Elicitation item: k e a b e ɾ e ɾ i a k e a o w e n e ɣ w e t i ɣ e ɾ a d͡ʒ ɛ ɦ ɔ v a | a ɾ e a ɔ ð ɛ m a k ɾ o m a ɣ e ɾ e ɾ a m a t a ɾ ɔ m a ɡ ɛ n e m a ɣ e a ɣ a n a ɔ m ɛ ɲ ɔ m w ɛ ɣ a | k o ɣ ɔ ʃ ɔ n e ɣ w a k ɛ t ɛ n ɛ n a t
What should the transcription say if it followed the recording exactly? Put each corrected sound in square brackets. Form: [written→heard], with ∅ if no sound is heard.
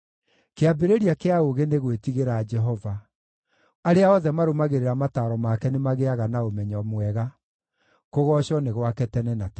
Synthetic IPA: k e a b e ɾ e ɾ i a k e a o [w→ɣ] e n e ɣ w e t i ɣ e ɾ a d͡ʒ ɛ ɦ ɔ v a | a ɾ e a ɔ ð ɛ m a [k→∅] ɾ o m a ɣ e ɾ e ɾ a m a t a ɾ ɔ m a [ɡ→k] ɛ n e m a ɣ e a ɣ a n a [ɔ→o] m ɛ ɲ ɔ m w ɛ ɣ a | k o ɣ ɔ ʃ ɔ n e ɣ w a k ɛ t ɛ n ɛ n a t